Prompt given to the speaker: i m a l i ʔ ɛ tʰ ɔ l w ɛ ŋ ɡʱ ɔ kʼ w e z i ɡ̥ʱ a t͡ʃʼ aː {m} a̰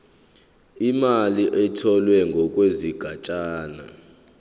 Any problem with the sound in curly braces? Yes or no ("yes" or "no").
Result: yes